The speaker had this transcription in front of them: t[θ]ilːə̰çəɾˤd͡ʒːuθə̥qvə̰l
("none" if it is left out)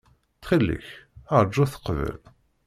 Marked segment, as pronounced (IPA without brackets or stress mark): χ